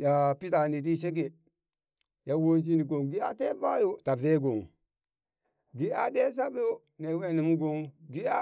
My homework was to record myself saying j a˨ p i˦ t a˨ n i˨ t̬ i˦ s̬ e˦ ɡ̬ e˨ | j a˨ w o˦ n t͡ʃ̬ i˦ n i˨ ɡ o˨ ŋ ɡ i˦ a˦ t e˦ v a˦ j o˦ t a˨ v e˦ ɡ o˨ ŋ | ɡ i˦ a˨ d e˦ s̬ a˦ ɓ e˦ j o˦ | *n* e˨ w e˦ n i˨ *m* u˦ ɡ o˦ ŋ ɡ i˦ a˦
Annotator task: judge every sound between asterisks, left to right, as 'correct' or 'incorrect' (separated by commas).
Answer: correct, correct